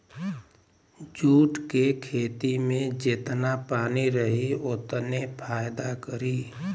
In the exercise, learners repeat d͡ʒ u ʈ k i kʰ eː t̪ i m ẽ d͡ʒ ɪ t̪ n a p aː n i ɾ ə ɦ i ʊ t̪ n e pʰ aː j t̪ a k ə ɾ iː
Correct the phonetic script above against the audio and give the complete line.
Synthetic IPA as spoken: d͡ʒ uː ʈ k e kʰ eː t̪ i m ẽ d͡ʒ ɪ t̪ n a p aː n i ɾ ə ɦ i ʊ t̪ n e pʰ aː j d̪ a k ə ɾ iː